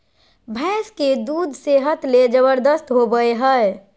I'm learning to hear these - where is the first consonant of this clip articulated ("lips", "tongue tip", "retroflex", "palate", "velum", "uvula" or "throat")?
lips